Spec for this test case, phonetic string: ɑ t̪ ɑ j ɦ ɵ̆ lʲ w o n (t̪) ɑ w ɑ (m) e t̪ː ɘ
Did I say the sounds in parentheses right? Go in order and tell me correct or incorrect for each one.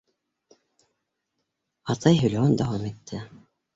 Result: incorrect, correct

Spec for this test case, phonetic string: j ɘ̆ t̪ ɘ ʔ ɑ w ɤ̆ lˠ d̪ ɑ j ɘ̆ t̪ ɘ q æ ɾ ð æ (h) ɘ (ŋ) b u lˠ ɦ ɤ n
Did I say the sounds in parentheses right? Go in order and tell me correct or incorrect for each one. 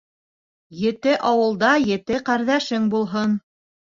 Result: incorrect, correct

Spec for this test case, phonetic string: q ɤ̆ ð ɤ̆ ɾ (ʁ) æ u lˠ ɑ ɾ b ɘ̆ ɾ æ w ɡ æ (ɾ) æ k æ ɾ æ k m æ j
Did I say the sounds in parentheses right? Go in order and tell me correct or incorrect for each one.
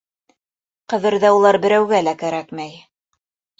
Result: incorrect, incorrect

